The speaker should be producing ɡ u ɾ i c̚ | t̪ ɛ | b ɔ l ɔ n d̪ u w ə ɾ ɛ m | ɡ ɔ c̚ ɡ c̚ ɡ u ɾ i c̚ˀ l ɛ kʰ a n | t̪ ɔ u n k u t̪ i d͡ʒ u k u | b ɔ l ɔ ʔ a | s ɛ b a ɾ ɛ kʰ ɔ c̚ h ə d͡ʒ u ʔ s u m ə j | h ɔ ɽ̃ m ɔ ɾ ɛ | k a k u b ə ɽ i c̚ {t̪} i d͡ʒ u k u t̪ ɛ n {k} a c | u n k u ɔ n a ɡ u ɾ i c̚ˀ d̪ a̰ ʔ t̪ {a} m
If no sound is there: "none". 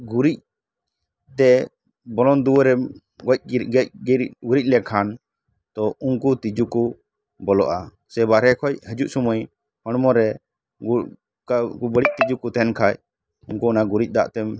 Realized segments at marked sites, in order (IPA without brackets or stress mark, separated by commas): t̪, kʰ, ɛ